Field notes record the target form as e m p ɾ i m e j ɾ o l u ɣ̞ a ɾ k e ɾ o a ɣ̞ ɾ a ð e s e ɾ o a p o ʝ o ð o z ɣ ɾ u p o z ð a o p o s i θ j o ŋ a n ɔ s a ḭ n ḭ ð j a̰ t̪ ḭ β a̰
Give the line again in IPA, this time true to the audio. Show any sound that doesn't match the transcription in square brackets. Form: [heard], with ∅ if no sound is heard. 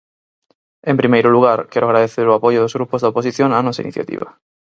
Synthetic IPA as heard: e m p ɾ i m e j ɾ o l u ɣ̞ a ɾ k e ɾ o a ɣ̞ ɾ a ð e [θ] e ɾ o a p o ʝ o ð o z ɣ ɾ u p o z ð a o p o s i θ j o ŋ a n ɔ s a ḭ n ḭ [θ] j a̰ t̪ ḭ β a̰